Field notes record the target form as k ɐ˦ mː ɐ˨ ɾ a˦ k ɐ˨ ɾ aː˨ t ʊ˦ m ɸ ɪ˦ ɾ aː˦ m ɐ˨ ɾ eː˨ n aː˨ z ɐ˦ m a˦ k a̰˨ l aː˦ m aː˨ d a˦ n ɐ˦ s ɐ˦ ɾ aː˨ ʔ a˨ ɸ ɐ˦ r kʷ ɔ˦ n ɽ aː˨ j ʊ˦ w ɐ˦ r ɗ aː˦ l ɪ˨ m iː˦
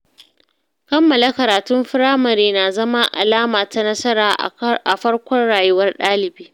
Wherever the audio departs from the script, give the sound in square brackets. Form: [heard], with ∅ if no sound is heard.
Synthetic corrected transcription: k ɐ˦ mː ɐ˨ [l] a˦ k ɐ˨ ɾ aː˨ t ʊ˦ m ɸ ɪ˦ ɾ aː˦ m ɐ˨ ɾ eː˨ n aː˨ z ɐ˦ m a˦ [ʔ] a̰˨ l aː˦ m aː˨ [t] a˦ n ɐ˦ s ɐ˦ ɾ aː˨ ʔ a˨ ɸ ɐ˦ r kʷ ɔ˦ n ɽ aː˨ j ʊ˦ w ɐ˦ r ɗ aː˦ l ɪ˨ [b] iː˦